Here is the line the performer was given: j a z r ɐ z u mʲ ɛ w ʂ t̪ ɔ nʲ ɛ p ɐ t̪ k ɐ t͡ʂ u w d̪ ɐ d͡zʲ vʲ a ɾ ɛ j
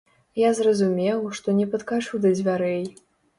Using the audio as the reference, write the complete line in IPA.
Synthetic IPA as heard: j a z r ɐ z u mʲ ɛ w ʂ t̪ ɔ nʲ ɛ p ɐ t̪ k a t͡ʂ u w d̪ ɐ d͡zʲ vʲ a ɾ ɛ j